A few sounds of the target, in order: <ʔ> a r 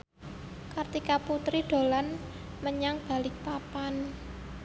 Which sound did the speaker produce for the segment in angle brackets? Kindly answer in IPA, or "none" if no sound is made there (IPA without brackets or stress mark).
k